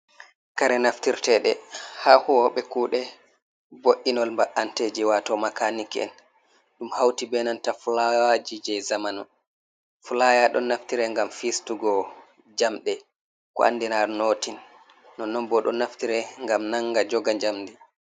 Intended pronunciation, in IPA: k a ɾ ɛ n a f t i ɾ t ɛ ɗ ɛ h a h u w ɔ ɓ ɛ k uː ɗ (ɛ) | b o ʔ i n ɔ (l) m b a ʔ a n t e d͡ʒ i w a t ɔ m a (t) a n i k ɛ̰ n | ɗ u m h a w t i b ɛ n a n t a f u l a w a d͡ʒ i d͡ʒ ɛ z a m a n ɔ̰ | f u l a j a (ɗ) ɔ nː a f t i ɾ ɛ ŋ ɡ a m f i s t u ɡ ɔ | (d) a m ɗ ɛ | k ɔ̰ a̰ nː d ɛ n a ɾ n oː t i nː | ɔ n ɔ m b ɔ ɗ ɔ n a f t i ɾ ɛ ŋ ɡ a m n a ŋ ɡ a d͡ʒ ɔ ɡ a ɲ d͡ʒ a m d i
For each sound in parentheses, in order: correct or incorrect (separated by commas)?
correct, correct, incorrect, correct, incorrect